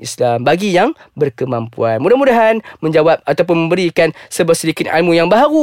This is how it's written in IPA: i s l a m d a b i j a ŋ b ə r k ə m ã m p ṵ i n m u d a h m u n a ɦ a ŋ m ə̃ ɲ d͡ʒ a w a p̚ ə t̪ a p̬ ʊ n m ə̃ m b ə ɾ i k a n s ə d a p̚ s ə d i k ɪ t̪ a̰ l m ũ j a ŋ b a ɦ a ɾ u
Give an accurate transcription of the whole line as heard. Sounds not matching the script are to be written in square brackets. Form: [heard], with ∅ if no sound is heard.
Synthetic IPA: i s l a m [b] a [ɡ] i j a ŋ b ə r k ə m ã m p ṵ [a] n m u d a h m u [d] a ɦ a [n] m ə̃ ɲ d͡ʒ a w a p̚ [a] t̪ a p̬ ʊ n m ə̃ m b ə ɾ i k a n s ə [b] a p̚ s ə d i k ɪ t̪ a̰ l m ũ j a ŋ b a ɦ a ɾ u